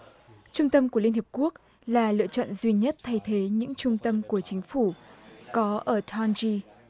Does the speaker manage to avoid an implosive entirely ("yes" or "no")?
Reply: yes